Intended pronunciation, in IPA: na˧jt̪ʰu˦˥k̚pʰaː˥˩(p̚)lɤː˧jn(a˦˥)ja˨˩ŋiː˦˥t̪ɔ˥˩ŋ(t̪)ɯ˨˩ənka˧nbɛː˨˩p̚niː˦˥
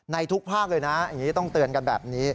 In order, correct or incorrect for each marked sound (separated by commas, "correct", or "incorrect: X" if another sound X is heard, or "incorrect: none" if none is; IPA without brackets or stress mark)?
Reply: incorrect: k̚, correct, correct